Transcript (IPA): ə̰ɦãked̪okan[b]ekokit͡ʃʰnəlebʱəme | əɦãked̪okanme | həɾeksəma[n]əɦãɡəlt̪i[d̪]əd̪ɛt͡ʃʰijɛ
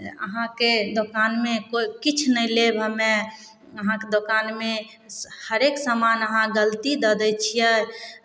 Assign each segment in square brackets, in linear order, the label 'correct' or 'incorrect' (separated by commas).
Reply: incorrect, correct, correct